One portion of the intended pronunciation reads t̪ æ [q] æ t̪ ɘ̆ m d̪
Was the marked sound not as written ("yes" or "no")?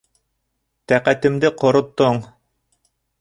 no